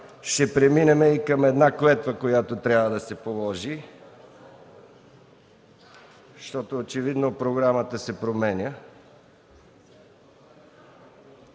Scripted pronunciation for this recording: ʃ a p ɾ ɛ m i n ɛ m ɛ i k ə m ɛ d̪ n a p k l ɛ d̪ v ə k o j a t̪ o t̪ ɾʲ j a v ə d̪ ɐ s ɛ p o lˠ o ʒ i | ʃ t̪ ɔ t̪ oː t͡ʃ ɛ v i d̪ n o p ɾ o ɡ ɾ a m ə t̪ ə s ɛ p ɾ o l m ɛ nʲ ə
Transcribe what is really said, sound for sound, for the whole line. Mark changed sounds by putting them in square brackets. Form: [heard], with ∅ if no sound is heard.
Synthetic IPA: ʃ [ɛ] p ɾ ɛ m i n ɛ m ɛ i k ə m ɛ d̪ n a [∅] k l ɛ [t̪] v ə k o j a t̪ o t̪ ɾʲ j a v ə d̪ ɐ s ɛ p o lˠ [ɔ] ʒ i | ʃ t̪ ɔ t̪ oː t͡ʃ ɛ v i d̪ n o p ɾ o ɡ ɾ a m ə t̪ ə s ɛ p ɾ o [∅] m ɛ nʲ ə

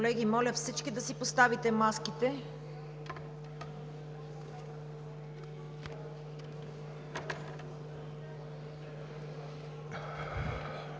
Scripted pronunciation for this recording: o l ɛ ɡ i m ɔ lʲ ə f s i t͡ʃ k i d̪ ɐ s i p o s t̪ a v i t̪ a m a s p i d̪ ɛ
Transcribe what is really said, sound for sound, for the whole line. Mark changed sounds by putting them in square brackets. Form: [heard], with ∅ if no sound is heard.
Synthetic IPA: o l ɛ ɡ i m ɔ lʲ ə f s i t͡ʃ k i d̪ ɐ s i p o s t̪ a v i t̪ [ɛ] m a s [k] i [t̪] ɛ

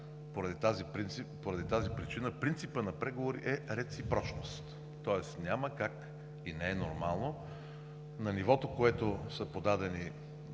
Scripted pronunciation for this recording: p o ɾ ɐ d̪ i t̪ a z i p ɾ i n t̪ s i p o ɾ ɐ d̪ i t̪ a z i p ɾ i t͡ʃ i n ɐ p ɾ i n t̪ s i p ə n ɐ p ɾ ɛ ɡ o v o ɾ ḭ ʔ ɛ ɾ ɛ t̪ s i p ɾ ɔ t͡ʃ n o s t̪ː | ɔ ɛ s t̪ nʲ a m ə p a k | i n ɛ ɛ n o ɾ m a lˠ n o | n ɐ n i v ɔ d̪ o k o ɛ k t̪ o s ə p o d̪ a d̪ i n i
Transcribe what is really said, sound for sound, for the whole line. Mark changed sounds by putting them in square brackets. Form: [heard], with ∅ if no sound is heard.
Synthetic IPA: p o ɾ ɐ d̪ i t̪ a z i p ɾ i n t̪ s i p o ɾ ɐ d̪ i t̪ a z i p ɾ i t͡ʃ i n [ə] p ɾ i n t̪ s i p ə n ɐ p ɾ ɛ ɡ o v o ɾ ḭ ʔ ɛ ɾ ɛ t̪ s i p ɾ ɔ t͡ʃ n o s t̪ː | ɔ ɛ s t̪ nʲ a m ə [k] a k | i n ɛ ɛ n o ɾ m a lˠ n o | n ɐ n i v ɔ [t̪] o k o ɛ [∅] t̪ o s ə p o d̪ a d̪ [ɛ] n i

